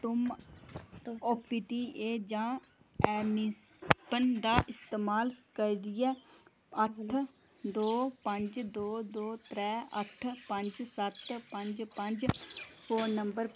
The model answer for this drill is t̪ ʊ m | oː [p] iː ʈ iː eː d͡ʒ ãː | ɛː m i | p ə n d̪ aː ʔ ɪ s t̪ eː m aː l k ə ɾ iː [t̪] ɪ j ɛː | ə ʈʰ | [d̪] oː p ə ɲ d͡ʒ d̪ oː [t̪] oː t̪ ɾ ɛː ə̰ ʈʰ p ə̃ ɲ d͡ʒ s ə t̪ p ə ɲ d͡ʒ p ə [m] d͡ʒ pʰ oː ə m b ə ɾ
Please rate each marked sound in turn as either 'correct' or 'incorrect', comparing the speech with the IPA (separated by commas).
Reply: correct, incorrect, correct, incorrect, incorrect